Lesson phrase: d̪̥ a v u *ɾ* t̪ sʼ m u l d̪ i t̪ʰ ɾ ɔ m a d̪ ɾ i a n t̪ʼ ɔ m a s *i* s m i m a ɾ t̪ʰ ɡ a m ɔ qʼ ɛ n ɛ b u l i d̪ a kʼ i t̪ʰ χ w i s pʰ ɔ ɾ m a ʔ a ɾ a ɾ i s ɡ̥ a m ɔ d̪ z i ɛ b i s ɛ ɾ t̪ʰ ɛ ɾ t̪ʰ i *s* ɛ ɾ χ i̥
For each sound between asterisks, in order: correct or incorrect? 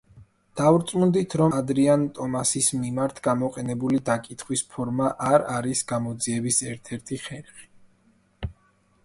correct, correct, incorrect: χ

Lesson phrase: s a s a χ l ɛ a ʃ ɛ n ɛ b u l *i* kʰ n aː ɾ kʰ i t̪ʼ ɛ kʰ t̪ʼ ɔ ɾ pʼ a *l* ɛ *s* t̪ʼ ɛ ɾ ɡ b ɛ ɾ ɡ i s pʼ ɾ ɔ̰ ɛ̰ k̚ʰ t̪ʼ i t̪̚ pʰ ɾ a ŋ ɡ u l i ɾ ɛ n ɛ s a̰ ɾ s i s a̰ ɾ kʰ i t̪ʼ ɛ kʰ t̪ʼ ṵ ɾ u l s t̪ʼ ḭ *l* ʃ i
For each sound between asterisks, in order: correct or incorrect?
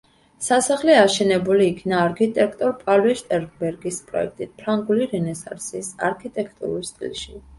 incorrect: iː, correct, incorrect: ʃ, correct

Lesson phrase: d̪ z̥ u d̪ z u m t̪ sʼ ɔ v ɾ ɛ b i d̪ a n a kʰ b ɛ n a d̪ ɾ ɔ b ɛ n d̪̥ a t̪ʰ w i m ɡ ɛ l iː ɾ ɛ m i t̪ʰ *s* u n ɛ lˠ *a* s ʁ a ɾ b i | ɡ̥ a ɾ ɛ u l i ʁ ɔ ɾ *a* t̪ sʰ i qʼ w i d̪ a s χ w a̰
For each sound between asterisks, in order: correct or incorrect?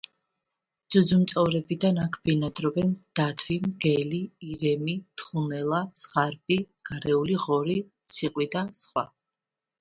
incorrect: χ, correct, incorrect: i

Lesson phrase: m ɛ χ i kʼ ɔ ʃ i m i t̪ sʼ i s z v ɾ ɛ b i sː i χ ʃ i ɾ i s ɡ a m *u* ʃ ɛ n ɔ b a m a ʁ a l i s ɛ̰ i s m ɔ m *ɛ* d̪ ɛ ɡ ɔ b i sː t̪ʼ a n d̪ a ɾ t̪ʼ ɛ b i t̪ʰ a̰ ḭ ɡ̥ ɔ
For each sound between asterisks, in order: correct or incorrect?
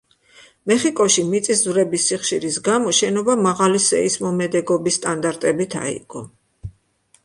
incorrect: ɔ, correct

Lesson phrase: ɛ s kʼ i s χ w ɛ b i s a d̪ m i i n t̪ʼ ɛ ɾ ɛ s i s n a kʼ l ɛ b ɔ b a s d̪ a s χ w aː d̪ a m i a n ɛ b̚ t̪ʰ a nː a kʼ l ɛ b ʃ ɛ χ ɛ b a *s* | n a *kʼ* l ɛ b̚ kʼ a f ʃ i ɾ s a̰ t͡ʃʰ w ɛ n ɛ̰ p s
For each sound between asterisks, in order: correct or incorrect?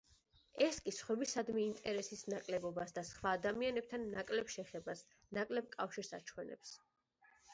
correct, correct

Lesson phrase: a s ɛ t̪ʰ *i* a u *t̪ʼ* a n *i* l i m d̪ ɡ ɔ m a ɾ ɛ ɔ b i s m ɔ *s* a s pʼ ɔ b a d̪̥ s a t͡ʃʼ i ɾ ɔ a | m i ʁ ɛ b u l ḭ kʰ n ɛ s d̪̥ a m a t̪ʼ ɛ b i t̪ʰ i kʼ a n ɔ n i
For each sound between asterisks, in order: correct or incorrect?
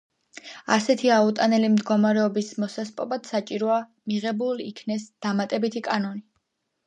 correct, correct, incorrect: ɛ, correct

